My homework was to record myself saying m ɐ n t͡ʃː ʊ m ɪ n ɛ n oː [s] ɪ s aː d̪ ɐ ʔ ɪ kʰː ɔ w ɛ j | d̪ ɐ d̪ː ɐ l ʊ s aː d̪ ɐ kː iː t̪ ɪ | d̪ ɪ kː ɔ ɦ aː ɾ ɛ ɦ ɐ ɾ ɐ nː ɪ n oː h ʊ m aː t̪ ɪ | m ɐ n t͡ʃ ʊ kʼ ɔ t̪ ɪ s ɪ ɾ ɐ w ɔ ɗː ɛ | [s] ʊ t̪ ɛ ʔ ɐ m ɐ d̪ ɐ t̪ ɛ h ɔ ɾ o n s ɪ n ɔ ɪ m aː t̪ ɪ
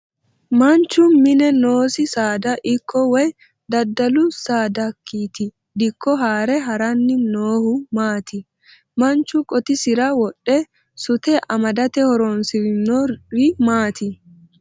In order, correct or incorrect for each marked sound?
correct, correct

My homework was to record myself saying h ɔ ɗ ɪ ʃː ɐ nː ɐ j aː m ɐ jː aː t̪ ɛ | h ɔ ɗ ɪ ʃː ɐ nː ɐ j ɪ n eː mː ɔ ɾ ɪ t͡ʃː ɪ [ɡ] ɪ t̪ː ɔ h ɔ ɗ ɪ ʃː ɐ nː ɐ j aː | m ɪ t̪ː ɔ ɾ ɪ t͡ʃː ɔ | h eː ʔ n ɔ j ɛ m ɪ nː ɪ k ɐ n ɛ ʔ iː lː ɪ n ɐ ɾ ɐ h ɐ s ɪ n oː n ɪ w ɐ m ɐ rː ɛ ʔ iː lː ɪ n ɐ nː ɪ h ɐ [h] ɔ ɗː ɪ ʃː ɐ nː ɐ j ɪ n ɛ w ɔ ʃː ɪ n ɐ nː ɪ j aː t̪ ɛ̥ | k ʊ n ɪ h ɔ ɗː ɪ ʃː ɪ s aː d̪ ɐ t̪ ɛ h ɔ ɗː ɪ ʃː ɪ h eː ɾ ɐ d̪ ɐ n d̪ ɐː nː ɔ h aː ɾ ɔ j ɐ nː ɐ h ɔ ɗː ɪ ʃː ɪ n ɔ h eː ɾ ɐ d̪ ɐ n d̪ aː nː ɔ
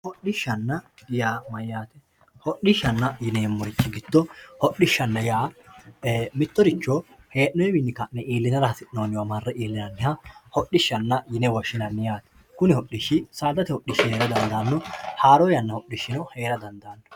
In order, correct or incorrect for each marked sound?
correct, correct

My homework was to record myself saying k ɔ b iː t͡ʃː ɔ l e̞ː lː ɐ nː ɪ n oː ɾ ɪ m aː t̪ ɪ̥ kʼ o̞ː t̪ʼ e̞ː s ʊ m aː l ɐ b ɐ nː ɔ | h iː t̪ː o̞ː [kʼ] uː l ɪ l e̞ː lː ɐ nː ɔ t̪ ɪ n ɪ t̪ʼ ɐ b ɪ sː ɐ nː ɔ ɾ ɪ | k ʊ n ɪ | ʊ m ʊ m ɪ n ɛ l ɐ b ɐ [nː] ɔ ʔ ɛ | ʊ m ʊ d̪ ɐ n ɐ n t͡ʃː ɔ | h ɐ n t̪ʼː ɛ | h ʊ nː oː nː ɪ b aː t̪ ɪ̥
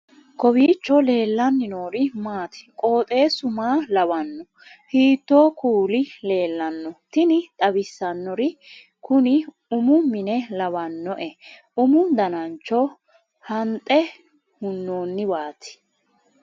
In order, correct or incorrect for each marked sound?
incorrect: k, correct

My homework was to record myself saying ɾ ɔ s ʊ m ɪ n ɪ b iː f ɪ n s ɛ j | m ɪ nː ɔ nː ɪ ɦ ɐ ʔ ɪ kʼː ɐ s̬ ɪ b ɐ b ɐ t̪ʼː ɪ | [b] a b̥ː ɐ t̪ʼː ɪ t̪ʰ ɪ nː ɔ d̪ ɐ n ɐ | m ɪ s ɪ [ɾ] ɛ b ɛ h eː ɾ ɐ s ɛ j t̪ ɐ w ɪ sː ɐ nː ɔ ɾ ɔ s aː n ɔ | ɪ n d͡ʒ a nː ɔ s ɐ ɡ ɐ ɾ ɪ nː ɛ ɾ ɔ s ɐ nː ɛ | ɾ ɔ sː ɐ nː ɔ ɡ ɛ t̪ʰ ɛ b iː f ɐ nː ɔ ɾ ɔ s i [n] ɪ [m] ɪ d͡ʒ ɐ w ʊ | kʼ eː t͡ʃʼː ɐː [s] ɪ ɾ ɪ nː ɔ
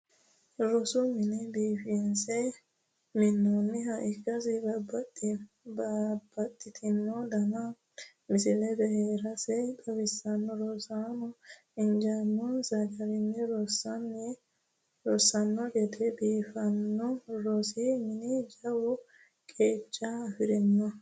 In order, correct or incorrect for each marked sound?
correct, incorrect: l, incorrect: m, incorrect: n, incorrect: f

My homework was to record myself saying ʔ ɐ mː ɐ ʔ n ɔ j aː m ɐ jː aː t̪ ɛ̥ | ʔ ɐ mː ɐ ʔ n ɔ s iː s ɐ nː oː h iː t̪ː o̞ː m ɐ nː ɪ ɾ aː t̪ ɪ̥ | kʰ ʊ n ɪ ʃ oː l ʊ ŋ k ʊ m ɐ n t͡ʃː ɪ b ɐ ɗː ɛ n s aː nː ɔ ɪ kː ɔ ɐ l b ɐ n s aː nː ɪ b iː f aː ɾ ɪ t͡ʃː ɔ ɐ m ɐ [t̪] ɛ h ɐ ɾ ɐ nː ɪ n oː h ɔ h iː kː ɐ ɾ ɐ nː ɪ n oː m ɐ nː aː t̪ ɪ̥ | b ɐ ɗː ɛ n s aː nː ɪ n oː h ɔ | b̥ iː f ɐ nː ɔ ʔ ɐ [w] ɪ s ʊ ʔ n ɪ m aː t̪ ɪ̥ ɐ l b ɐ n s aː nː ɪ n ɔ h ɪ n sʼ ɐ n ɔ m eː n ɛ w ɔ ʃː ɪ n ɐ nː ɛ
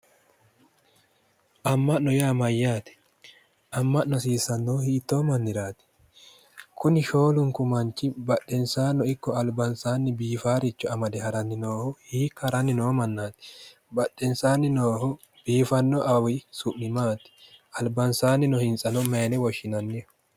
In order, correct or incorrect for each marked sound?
incorrect: d̪, correct

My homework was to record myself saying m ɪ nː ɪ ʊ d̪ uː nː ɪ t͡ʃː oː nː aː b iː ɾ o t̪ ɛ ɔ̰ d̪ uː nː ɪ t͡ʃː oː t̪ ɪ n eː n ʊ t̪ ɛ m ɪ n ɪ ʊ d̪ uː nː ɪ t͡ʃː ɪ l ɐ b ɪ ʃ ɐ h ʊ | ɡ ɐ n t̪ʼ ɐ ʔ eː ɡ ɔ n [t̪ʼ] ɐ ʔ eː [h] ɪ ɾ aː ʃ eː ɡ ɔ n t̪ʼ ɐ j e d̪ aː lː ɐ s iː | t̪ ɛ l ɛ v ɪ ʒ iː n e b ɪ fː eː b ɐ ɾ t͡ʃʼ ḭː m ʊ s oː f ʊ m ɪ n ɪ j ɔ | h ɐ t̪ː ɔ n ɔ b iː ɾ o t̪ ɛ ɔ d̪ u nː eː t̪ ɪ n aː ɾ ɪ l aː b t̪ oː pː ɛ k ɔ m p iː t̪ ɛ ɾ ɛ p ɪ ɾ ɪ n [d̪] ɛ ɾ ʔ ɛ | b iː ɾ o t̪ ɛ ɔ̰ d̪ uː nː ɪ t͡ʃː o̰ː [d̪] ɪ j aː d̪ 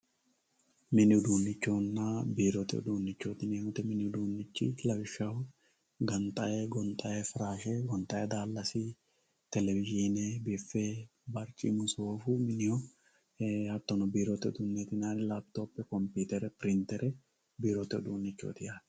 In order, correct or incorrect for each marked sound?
correct, incorrect: f, incorrect: t̪, incorrect: t̪

